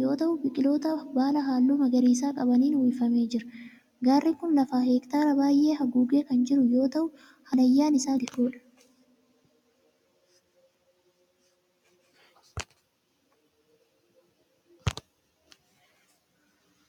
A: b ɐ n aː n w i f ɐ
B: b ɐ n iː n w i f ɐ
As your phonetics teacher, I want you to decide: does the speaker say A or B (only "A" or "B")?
B